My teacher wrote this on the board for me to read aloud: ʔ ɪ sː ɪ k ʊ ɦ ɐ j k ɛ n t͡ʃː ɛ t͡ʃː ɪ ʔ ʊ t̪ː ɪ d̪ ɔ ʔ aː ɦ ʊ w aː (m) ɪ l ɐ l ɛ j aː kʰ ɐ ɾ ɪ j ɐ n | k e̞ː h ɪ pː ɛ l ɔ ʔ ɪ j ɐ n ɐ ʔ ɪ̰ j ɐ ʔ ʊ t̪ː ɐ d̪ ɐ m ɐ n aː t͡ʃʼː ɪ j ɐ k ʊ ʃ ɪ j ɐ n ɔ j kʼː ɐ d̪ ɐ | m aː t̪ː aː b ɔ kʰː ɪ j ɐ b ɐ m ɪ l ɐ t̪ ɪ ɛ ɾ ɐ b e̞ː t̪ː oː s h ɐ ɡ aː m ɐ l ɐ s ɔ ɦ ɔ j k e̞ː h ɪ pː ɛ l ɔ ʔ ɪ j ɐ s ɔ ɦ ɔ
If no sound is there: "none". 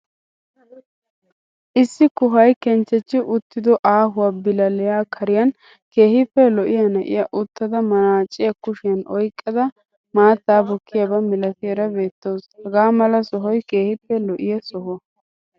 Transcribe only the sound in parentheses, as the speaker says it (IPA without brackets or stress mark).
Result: b